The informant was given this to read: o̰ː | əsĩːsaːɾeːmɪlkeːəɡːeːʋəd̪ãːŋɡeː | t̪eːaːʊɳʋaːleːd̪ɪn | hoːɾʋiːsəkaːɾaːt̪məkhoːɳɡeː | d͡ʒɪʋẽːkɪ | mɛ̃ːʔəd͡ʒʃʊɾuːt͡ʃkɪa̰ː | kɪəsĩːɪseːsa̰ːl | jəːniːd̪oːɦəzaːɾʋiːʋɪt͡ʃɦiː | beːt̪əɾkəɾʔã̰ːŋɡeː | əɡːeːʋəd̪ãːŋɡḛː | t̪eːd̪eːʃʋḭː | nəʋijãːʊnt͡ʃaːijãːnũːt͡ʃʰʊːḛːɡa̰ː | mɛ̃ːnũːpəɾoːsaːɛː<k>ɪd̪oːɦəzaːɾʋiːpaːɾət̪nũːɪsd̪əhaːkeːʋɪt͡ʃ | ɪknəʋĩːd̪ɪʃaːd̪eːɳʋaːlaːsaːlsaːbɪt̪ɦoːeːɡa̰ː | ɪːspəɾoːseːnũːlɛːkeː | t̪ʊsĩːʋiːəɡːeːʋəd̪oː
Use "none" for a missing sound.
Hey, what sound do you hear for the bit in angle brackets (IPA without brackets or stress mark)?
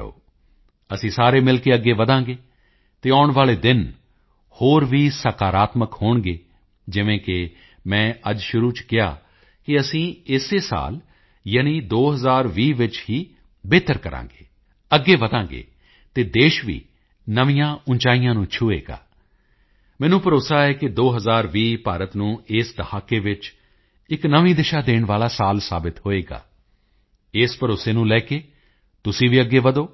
k